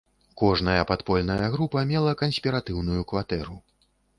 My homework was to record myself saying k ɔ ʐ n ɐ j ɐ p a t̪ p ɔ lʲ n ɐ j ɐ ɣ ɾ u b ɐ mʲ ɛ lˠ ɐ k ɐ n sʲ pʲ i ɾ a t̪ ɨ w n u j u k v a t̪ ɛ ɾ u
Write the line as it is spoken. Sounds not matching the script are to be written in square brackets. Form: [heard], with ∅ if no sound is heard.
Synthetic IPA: k ɔ ʐ n ɐ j ɐ p a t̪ p ɔ lʲ n ɐ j ɐ ɣ ɾ u [p] ɐ mʲ ɛ lˠ ɐ k ɐ n sʲ pʲ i ɾ a t̪ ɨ w n u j u k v a t̪ ɛ ɾ u